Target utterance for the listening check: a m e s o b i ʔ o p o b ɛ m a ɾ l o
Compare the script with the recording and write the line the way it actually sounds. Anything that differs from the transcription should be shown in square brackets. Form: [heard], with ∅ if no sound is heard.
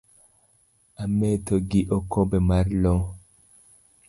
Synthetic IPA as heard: a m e [t] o [ɡ] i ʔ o [k] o b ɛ m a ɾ l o